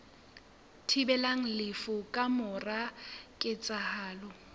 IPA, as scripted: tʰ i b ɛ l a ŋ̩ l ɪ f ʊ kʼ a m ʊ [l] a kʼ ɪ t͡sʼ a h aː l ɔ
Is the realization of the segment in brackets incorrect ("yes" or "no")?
yes